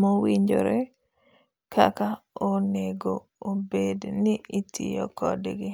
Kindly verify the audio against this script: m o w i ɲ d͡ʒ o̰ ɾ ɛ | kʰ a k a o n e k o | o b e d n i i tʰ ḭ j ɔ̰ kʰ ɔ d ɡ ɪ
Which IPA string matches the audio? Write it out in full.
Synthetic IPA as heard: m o w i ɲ d͡ʒ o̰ ɾ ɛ | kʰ a k a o n e ɡ o | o b e d n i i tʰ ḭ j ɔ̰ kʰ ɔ d ɡ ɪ